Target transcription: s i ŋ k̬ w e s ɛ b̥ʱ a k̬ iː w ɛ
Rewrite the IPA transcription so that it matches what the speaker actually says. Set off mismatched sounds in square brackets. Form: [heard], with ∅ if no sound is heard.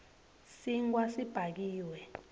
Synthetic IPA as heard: s i ŋ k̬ w [a] s [i] b̥ʱ a k̬ iː w ɛ